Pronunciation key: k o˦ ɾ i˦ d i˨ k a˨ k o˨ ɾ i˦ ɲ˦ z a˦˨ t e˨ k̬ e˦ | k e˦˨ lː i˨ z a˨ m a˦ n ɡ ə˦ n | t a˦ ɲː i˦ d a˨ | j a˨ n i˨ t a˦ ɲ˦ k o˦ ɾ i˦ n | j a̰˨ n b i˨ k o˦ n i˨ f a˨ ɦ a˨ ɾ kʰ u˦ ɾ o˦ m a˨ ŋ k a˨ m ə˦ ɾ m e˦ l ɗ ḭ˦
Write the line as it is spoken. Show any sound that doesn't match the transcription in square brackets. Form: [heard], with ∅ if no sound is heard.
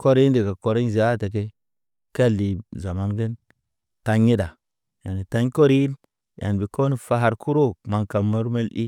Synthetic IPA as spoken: k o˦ ɾ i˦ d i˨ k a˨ k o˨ ɾ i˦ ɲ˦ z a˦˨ t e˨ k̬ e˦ | k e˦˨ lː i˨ z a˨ m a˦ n ɡ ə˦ n | t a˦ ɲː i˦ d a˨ | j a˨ n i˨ t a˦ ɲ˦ k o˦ ɾ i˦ n | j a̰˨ n b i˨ k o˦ n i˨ f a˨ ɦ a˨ ɾ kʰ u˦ ɾ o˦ m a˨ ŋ k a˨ m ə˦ ɾ m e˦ l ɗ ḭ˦